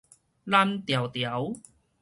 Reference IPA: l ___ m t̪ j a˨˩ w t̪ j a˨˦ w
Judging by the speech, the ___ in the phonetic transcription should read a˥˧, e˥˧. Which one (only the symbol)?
a˥˧